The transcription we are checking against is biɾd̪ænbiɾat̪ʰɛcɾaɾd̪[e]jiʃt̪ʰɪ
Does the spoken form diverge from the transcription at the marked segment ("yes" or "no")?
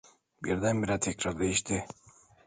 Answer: no